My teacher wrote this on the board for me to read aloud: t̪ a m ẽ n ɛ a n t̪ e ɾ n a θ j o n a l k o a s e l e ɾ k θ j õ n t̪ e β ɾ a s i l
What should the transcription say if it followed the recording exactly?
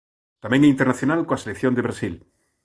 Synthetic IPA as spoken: t̪ a m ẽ ŋ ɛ i n t̪ e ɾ n a θ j o n a l k o a s e l e k θ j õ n d̪ e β ɾ a s i l